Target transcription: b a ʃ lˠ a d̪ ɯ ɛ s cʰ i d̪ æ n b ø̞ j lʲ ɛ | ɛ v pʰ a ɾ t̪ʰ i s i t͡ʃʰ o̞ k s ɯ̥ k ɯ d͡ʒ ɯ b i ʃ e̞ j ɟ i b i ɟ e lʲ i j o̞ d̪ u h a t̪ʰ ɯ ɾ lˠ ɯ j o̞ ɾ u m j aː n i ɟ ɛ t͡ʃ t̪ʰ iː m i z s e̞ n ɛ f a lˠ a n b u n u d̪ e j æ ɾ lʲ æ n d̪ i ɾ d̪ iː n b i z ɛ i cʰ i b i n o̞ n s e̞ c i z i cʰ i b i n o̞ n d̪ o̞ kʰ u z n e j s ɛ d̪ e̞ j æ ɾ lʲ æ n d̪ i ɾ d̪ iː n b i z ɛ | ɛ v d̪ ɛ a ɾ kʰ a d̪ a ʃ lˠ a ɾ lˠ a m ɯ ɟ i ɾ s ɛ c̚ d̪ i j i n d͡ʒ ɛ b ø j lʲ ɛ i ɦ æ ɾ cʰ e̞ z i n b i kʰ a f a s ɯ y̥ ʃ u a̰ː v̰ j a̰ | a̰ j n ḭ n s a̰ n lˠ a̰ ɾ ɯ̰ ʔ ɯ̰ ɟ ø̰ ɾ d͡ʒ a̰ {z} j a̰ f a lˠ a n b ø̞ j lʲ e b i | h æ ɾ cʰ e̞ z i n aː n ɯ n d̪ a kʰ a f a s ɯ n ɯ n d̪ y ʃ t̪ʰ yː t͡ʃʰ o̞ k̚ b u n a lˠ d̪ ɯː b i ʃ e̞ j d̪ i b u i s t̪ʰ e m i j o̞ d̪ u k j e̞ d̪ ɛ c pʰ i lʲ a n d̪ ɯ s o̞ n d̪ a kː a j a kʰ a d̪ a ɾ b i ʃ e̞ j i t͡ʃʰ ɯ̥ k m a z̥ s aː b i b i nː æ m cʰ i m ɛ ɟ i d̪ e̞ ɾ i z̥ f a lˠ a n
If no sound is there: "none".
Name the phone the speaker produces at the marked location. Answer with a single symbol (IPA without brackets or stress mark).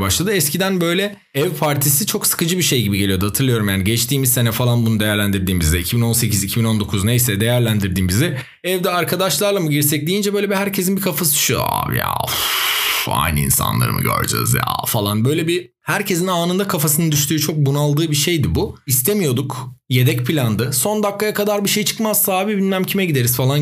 z